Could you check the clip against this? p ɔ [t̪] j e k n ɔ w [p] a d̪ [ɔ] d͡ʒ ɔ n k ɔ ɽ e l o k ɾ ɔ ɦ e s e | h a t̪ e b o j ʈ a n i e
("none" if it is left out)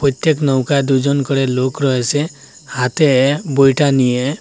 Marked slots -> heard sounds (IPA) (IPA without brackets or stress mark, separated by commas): t̪, k, u